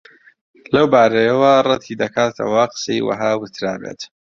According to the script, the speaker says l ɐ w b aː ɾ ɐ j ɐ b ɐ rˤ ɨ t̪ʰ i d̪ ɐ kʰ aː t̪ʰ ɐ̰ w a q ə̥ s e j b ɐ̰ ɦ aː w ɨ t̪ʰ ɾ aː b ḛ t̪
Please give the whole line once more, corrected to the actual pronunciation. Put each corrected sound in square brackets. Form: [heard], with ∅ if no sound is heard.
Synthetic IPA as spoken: l ɐ w b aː ɾ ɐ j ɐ [w] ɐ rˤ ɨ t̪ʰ i d̪ ɐ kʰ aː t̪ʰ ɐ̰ w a q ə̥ s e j [w] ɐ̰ ɦ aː w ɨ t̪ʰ ɾ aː b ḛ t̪